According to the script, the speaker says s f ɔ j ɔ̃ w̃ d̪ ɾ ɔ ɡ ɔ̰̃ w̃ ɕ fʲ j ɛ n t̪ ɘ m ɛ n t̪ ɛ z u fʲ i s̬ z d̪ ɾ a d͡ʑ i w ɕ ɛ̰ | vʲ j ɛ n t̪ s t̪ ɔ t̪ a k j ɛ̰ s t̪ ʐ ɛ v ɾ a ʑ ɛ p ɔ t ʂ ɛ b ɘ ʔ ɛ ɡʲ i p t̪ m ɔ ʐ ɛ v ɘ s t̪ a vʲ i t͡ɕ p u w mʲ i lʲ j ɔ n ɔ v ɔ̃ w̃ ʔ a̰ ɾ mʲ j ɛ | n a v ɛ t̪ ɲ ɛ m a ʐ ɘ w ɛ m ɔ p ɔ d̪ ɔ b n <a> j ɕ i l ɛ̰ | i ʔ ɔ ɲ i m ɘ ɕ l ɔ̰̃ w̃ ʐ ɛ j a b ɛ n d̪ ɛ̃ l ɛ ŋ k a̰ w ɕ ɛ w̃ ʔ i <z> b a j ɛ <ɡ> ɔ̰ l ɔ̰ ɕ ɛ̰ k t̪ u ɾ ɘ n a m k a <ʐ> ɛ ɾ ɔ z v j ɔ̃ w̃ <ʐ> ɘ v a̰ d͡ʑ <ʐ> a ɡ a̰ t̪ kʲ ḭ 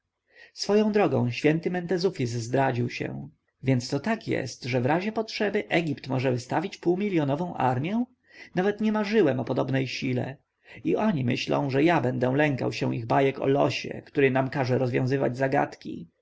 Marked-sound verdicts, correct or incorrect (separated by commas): incorrect, incorrect, incorrect, correct, incorrect, incorrect